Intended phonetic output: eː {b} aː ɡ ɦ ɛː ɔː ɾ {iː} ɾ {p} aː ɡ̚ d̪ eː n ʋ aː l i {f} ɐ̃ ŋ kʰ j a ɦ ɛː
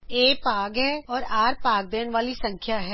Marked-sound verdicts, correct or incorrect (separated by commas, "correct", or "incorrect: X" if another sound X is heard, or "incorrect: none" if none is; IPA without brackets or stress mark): incorrect: p, incorrect: aː, correct, incorrect: s